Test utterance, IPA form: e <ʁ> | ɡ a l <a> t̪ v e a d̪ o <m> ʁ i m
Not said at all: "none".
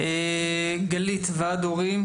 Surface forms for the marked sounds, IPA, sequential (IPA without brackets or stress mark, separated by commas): none, i, none